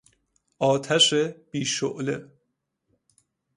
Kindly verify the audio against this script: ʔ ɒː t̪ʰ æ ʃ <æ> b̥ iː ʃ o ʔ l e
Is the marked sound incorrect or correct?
incorrect